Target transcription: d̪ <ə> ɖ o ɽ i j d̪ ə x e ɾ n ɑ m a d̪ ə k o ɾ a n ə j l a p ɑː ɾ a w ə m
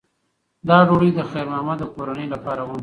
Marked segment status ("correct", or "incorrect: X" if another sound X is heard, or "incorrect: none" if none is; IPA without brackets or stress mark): incorrect: ɑ